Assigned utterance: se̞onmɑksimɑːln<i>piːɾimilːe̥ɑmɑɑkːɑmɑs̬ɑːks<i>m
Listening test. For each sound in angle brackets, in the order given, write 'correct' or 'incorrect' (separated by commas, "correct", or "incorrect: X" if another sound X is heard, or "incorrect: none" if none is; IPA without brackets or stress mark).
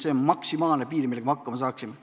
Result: incorrect: e, correct